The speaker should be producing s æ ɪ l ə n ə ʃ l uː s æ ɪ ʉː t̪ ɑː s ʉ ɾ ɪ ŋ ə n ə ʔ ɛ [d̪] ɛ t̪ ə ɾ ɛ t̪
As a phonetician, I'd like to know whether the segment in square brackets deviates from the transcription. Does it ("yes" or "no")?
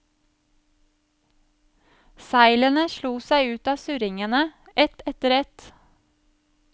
yes